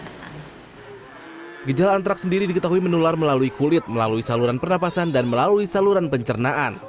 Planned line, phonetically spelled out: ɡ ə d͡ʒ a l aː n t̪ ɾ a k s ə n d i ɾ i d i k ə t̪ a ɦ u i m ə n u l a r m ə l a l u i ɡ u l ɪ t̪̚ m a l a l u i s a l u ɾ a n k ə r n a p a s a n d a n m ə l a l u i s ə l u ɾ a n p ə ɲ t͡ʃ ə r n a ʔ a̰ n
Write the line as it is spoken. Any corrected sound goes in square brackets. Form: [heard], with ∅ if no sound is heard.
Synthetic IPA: ɡ ə d͡ʒ a l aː n t̪ ɾ a k s ə n d i ɾ i d i k ə t̪ a ɦ u i m ə n u l a r m ə l a l u i [k] u l ɪ t̪̚ m [ə] l a l u i s a l u ɾ a n [p] ə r n a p a s a n d a n m ə l a l u i s [a] l u ɾ a n p ə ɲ t͡ʃ ə r n a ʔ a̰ n